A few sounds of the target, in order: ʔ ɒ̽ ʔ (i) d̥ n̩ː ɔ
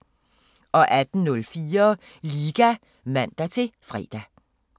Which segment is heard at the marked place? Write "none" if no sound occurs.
æ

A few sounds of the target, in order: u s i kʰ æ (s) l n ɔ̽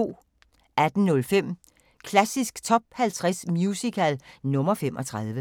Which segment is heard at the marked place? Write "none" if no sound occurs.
none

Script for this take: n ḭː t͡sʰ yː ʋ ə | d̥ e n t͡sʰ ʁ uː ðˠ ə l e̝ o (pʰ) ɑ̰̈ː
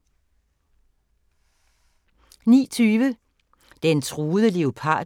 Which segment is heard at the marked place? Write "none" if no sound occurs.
pʰ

